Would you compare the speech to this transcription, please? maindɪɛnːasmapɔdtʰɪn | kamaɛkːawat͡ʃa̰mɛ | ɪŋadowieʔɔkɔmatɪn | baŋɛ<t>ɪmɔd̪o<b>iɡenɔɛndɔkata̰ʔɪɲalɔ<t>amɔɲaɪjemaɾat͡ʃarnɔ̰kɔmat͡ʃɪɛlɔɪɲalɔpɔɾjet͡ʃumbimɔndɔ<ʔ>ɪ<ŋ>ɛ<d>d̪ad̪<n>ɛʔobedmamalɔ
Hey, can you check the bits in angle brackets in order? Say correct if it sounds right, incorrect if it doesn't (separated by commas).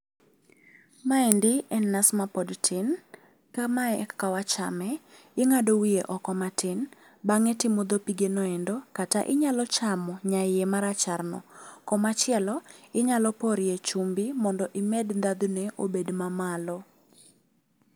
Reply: correct, incorrect, incorrect, correct, incorrect, correct, correct